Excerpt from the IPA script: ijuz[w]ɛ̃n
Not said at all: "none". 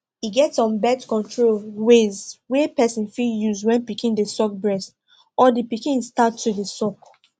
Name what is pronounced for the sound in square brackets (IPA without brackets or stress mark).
w